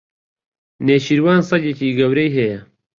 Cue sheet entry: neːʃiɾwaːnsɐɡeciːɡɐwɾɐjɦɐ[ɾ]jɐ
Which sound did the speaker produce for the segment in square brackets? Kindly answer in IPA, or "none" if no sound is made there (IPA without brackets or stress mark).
none